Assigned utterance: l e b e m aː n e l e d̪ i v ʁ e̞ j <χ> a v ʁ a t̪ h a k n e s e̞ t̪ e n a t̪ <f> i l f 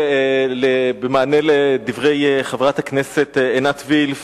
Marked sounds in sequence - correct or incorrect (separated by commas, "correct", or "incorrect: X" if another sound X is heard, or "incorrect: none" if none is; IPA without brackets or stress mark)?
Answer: correct, incorrect: v